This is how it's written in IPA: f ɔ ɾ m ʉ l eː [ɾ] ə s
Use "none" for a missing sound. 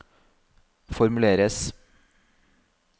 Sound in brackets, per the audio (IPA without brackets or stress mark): ɾ